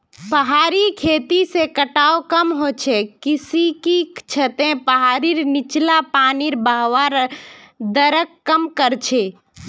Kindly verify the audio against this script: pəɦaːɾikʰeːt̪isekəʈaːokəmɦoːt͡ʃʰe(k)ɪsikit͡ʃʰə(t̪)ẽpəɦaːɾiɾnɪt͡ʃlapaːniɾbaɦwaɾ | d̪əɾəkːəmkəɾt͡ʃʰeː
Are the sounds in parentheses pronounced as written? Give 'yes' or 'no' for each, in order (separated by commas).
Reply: yes, yes